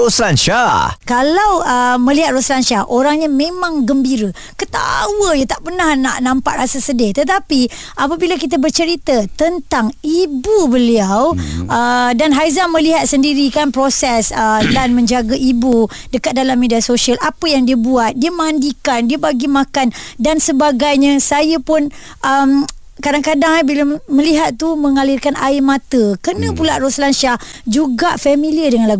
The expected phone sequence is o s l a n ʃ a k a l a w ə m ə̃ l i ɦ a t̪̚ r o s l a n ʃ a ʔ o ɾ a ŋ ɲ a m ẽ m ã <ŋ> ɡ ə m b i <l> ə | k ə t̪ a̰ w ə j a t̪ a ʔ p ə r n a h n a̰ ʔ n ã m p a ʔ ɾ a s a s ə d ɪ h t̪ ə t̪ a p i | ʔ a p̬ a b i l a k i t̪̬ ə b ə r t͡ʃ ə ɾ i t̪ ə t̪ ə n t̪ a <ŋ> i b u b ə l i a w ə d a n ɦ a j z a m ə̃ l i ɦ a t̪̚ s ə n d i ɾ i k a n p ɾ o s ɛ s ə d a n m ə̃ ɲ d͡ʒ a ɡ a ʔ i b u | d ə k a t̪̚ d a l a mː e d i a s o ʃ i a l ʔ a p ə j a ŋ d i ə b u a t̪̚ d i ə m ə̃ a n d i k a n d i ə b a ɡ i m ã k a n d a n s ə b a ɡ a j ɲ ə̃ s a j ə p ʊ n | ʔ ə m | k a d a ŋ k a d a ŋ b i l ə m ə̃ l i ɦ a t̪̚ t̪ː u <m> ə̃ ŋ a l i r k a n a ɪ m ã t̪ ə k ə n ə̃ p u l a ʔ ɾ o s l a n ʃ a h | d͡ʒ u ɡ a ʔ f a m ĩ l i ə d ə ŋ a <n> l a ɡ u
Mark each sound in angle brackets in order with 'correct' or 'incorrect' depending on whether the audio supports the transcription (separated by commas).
correct, incorrect, correct, correct, correct